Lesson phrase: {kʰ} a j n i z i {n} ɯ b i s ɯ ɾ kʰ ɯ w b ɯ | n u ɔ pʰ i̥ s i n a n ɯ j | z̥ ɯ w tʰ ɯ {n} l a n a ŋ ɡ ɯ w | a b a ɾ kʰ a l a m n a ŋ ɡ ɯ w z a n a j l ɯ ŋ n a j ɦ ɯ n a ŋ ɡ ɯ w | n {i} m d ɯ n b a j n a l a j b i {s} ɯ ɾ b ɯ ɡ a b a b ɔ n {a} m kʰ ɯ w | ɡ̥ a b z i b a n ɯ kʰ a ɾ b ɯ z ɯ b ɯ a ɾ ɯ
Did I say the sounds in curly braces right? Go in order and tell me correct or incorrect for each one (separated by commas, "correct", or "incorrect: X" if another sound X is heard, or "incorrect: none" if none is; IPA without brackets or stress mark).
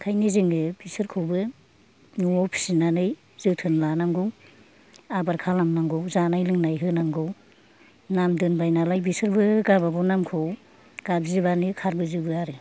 correct, incorrect: ŋ, correct, incorrect: a, correct, correct